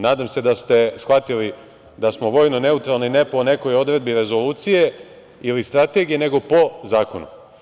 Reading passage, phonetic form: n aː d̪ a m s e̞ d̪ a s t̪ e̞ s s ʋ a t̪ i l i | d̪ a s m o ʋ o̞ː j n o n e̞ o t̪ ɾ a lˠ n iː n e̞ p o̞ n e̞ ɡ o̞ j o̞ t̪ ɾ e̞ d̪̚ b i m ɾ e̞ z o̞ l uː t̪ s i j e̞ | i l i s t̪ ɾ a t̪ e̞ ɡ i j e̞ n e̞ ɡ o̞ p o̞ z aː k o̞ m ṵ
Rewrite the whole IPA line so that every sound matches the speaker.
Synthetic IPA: n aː d̪ a m s e̞ d̪ a s t̪ e̞ s x ʋ a t̪ i l i | d̪ a s m o ʋ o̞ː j n o n e̞ u t̪ ɾ a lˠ n i n e̞ p o̞ n e̞ k o̞ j o̞ d̪ ɾ e̞ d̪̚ b i ɾ e̞ z o̞ l uː t̪ s i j e̞ | i l i s t̪ ɾ a t̪ e̞ ɡ i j e̞ n e̞ ɡ o̞ p o̞ z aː k o̞ n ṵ